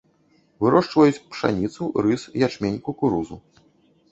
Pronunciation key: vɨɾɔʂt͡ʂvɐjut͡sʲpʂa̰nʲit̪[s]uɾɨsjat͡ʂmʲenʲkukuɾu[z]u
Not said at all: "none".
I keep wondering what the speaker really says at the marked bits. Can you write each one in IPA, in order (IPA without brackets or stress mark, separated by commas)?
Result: s, z